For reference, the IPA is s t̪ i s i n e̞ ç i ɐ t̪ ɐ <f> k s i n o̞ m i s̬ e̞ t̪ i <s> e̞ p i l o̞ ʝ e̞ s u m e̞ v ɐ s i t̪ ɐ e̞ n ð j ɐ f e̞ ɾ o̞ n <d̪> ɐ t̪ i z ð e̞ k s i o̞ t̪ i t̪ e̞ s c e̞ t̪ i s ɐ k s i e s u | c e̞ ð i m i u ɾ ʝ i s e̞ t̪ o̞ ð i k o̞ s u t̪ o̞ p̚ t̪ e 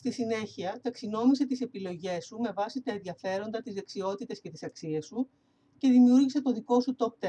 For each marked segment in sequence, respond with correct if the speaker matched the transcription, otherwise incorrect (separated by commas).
incorrect, correct, correct